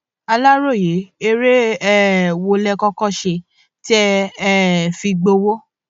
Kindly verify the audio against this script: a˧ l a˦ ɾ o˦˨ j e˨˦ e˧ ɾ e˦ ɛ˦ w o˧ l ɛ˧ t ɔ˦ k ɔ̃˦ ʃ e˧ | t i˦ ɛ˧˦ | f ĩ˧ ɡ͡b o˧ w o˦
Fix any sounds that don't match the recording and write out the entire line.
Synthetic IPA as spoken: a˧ l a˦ ɾ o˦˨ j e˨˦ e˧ ɾ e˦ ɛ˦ w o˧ l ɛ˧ k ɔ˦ k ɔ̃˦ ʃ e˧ | t i˦ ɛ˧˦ | f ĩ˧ ɡ͡b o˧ w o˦